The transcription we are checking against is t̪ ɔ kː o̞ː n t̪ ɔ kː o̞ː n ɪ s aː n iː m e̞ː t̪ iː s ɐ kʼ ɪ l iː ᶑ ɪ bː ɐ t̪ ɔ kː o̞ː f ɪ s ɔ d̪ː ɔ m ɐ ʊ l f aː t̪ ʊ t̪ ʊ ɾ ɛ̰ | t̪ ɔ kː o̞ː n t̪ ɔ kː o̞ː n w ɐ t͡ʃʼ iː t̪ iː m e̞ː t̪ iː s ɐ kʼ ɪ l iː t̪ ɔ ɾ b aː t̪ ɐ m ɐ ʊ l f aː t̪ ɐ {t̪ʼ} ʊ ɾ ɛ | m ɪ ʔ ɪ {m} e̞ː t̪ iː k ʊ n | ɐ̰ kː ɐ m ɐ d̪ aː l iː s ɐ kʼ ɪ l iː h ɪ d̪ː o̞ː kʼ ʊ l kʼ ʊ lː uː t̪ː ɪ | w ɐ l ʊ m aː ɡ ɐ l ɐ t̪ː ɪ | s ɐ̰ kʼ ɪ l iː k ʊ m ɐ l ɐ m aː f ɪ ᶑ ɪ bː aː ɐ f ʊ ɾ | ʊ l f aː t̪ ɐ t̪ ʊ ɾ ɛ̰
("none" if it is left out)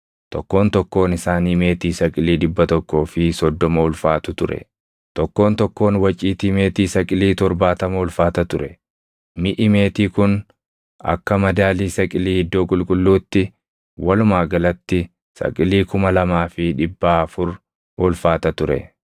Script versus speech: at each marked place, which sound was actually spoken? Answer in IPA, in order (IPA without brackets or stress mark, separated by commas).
t̪, m